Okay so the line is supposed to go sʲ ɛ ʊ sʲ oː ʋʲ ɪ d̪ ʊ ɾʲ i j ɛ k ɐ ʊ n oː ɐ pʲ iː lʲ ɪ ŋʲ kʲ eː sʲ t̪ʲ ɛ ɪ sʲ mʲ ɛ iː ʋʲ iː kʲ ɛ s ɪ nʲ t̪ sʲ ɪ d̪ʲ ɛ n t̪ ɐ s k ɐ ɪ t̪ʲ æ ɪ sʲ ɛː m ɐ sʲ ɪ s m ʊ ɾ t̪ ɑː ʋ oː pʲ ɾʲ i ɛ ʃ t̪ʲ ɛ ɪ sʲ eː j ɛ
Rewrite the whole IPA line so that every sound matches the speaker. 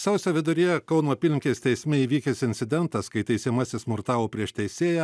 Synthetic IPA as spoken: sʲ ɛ ʊ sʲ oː ʋʲ ɪ d̪ ʊ ɾʲ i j ɛ k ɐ ʊ n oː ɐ pʲ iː lʲ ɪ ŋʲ kʲ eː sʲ t̪ʲ ɛ ɪ sʲ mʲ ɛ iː ʋʲ iː kʲ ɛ s ɪ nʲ t̪ sʲ ɪ d̪ʲ ɛ n t̪ ɐ s k ɐ ɪ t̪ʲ ɛ ɪ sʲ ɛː m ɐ sʲ ɪ s m ʊ ɾ t̪ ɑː ʋ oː pʲ ɾʲ i ɛ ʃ t̪ʲ ɛ ɪ sʲ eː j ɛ

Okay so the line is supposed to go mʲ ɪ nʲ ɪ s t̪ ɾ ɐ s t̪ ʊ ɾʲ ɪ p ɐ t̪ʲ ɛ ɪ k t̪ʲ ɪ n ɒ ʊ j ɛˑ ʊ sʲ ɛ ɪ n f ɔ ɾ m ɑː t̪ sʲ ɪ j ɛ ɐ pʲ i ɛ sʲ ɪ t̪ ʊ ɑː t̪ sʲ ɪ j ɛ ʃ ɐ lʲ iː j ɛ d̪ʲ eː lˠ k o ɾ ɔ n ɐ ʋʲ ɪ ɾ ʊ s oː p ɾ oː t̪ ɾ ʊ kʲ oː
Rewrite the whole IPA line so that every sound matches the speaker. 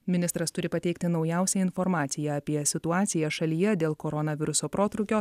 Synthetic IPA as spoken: mʲ ɪ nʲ ɪ s t̪ ɾ ɐ s t̪ ʊ ɾʲ ɪ p ɐ t̪ʲ ɛ ɪ k t̪ʲ ɪ n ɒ ʊ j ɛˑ ʊ sʲ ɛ ɪ n f ɔ ɾ m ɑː t̪ sʲ ɪ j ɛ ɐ pʲ i ɛ sʲ ɪ t̪ ʊ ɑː t̪ sʲ ɪ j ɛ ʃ ɐ lʲ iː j ɛ d̪ʲ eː lˠ k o ɾ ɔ n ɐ ʋʲ ɪ ɾ ʊ s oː p ɾ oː t̪ ɾ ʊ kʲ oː

